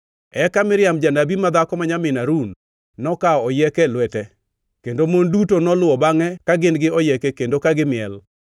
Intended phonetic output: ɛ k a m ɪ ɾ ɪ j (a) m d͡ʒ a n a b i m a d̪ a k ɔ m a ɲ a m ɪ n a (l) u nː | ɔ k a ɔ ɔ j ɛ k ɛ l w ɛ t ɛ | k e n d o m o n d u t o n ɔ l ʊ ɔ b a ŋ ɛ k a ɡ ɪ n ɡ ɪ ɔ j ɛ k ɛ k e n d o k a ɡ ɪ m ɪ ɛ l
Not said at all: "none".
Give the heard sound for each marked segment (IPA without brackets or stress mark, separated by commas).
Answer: a, ɾ